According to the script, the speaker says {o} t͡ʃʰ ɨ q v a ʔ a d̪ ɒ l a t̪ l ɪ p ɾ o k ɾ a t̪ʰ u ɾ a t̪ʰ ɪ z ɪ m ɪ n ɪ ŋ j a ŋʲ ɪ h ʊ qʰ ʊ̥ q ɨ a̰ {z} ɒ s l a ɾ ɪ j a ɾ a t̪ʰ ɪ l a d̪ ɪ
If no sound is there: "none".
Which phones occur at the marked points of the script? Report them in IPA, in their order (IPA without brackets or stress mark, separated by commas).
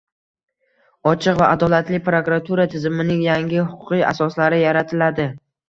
ɒ, s